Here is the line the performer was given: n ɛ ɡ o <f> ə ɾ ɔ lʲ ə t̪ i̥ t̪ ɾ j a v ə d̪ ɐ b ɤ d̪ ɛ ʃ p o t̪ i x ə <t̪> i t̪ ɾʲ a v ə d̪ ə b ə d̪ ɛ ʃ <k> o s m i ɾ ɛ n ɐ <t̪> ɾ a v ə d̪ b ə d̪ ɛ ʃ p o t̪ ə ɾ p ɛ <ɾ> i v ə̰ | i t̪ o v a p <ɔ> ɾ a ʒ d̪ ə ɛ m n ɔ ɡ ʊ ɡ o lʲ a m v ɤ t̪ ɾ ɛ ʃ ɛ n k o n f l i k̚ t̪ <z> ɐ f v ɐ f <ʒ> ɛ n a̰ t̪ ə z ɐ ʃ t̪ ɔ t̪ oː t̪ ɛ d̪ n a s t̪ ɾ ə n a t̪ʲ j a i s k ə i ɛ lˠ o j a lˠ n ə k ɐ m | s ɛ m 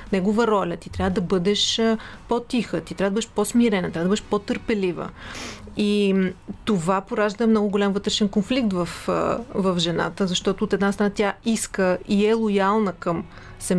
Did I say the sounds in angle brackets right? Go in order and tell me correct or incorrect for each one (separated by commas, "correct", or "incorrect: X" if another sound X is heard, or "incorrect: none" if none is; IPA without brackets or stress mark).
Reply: incorrect: v, correct, incorrect: p, correct, incorrect: l, incorrect: o, incorrect: v, correct